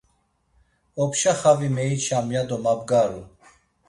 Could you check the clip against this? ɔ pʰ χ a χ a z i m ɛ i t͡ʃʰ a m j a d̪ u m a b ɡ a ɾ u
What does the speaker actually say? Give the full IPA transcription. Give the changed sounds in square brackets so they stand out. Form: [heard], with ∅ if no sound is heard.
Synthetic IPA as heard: ɔ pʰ [ʃ] a χ a [v] i m ɛ i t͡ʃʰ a m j a d̪ [ɔ] m a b ɡ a ɾ u